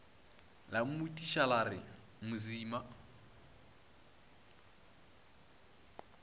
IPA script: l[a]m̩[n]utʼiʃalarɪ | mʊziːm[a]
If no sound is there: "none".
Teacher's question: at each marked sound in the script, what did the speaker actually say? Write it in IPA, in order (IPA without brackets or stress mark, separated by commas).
a, m, a